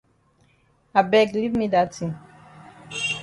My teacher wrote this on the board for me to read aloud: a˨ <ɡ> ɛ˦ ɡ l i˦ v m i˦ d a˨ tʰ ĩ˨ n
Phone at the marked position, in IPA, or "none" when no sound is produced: b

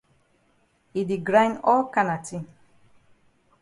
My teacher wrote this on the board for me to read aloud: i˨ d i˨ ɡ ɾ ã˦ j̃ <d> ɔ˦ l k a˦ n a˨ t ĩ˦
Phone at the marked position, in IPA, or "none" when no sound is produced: n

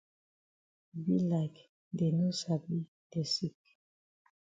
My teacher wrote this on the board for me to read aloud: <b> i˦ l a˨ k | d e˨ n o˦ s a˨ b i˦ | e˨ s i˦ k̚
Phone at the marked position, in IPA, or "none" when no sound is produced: b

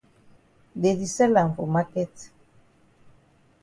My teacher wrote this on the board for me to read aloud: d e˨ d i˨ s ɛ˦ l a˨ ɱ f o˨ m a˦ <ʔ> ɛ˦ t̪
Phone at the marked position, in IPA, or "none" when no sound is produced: k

